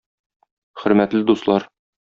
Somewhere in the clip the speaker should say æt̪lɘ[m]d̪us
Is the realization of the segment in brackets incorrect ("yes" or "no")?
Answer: yes